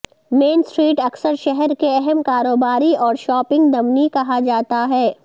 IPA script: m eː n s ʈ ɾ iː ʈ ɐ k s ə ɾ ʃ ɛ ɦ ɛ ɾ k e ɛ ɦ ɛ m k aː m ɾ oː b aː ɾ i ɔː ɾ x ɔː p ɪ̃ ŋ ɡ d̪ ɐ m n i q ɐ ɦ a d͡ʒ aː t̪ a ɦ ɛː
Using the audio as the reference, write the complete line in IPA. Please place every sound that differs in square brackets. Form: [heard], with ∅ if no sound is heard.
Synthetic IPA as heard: m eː n s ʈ ɾ iː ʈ ɐ k s ə ɾ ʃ ɛ ɦ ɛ ɾ k e ɛ ɦ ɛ m k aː [∅] ɾ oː b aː ɾ i ɔː ɾ [ʃ] ɔː p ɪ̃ ŋ ɡ d̪ ɐ m n i [k] ɐ ɦ a d͡ʒ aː t̪ a ɦ ɛː